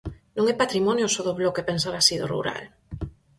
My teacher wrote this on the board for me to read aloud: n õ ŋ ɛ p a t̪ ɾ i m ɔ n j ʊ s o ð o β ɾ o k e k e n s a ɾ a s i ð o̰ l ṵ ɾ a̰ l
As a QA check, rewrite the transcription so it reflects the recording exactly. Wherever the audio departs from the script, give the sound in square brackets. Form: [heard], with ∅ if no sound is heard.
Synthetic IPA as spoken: n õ ŋ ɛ p a t̪ ɾ i m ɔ n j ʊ s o ð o β [l] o k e [p] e n s a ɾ a s i ð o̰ [r] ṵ ɾ a̰ l